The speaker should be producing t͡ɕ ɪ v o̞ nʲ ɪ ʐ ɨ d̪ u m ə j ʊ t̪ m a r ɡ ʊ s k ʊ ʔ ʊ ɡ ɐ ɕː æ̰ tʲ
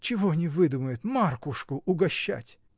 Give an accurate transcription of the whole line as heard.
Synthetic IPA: t͡ɕ ɪ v o̞ nʲ ɪ v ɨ d̪ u m ə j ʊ t̪ m a r k ʊ ʂ k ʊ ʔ ʊ ɡ ɐ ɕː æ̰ tʲ